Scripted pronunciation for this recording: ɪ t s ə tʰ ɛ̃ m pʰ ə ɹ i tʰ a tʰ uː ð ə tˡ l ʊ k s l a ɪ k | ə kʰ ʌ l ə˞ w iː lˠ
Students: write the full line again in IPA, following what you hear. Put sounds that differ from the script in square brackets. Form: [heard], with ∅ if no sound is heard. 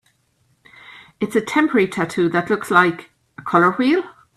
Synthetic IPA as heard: ɪ t s ə tʰ ɛ̃ m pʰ ə ɹ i tʰ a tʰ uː ð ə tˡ l ʊ k s l a ɪ k | ə kʰ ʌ l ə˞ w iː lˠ